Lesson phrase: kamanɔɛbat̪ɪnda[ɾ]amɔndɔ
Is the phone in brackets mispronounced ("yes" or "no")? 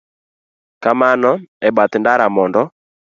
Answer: no